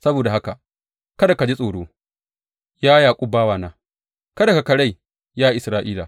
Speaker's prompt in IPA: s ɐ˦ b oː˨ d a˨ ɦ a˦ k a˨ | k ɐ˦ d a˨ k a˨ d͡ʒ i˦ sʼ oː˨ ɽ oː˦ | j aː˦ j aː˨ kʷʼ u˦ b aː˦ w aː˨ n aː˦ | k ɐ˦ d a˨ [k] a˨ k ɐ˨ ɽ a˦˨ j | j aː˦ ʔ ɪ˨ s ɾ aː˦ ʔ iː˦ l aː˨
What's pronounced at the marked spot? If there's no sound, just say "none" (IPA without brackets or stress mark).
k